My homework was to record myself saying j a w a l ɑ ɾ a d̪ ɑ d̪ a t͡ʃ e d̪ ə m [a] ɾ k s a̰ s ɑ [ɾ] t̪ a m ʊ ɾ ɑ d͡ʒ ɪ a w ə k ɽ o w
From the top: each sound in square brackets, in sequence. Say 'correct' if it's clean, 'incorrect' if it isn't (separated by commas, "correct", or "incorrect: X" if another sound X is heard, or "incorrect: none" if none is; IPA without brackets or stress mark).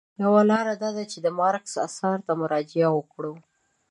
incorrect: ɑ, correct